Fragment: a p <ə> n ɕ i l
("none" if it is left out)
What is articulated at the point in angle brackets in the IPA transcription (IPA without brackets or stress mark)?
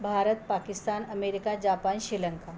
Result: a